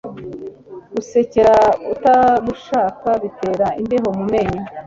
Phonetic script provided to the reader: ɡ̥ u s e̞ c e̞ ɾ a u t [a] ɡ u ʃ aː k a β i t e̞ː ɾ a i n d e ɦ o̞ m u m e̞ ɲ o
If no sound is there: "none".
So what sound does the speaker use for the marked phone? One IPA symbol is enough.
a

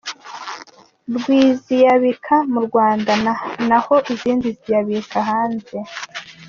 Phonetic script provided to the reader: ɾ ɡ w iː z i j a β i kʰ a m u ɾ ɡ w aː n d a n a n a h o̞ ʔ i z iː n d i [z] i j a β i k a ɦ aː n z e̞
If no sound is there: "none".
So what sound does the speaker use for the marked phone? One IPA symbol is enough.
z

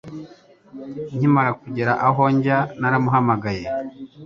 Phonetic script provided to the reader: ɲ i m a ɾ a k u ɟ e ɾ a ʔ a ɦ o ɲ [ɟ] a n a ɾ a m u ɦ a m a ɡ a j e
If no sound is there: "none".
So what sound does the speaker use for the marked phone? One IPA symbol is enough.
ɟ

